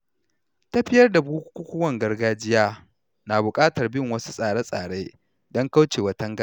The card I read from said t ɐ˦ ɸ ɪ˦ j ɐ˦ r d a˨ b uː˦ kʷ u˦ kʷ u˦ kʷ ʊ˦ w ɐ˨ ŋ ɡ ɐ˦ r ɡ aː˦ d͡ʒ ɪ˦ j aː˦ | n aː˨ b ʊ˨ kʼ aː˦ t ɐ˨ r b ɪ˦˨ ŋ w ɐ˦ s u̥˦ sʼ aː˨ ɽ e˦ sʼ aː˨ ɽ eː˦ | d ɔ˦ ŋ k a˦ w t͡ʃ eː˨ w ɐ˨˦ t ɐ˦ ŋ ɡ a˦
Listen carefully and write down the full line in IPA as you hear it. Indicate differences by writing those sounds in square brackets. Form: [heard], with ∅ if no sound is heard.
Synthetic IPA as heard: t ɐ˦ ɸ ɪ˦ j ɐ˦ r d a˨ b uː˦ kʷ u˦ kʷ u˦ kʷ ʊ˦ w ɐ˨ ŋ ɡ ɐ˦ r ɡ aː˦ d͡ʒ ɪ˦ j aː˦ | n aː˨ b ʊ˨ kʼ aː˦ t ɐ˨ r b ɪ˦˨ ŋ w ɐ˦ s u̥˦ sʼ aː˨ ɽ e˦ sʼ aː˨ ɽ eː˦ | d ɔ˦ ŋ k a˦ w t͡ʃ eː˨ w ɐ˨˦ t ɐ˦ ŋ ɡ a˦